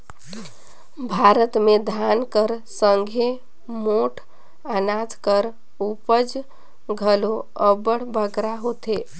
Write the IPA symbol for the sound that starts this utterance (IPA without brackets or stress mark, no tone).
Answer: bʱ